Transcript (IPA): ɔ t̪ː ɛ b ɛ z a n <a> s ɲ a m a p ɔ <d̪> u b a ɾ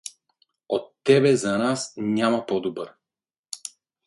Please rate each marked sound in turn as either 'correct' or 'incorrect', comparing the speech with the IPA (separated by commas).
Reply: correct, correct